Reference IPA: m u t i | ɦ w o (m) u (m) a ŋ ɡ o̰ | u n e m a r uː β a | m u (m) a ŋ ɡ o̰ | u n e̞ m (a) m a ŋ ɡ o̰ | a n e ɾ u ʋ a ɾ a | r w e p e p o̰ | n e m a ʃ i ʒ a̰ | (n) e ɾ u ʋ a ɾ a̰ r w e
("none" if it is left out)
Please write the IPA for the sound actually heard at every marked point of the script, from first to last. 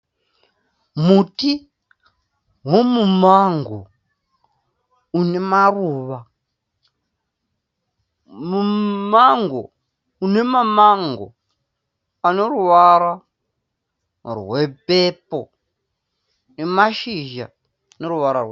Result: m, m, m, a, n

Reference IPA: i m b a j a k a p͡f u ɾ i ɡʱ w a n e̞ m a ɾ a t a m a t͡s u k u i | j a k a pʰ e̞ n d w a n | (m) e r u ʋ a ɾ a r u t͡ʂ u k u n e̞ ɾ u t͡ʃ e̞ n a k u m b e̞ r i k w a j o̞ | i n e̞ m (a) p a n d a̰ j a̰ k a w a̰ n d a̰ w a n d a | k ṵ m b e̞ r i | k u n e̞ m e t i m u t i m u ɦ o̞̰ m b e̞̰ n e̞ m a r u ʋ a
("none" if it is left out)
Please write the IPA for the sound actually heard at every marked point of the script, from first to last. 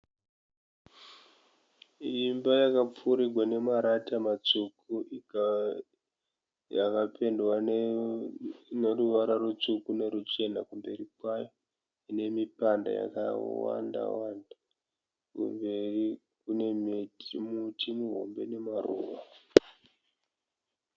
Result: n, i

